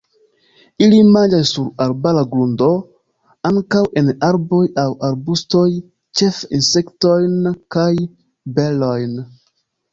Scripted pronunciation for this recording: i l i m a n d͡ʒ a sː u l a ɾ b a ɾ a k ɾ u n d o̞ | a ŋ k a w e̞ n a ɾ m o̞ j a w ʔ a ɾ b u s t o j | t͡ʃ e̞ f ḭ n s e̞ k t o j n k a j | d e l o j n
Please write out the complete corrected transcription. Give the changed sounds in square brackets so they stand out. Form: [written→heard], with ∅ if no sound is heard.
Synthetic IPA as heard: i l i m a n d͡ʒ a sː u [l→ɾ] a ɾ b a [ɾ→l] a [k→ɡ] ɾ u n d o̞ | a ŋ k a w e̞ n a ɾ [m→b] o̞ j a w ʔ a ɾ b u s t o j | t͡ʃ e̞ f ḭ n s e̞ k t o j n k a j | [d→b] e l o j n